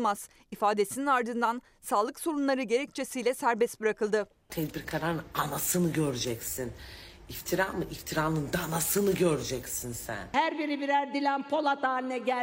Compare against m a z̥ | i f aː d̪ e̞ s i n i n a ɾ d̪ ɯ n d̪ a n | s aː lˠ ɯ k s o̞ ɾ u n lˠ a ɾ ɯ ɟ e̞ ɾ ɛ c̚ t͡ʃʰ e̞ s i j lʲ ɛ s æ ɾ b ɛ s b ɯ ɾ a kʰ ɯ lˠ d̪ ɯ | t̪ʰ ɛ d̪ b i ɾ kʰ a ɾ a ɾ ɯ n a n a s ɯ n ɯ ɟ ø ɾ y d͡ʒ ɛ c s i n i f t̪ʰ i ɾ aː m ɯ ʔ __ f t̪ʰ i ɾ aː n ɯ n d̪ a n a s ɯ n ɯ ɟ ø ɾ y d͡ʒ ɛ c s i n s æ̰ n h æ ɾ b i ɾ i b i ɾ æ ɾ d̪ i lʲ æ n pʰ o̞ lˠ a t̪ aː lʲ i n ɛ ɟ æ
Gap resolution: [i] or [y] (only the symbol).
i